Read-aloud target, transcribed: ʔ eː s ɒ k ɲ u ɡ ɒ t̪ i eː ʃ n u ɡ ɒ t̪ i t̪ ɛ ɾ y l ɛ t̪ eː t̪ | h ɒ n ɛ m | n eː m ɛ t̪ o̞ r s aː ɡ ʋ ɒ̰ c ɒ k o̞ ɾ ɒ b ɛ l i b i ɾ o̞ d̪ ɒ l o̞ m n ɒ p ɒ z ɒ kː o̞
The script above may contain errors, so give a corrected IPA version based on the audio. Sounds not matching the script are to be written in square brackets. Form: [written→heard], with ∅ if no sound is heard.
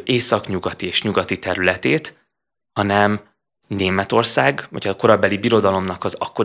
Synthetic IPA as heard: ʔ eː s ɒ k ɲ u ɡ ɒ t̪ i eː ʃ [n→ɲ] u ɡ ɒ t̪ i t̪ ɛ ɾ y l ɛ t̪ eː t̪ | h ɒ n ɛ m | n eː m ɛ t̪ o̞ r s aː ɡ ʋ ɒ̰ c ɒ k o̞ ɾ ɒ b ɛ l i b i ɾ o̞ d̪ ɒ l o̞ m n ɒ [p→k] ɒ z ɒ kː o̞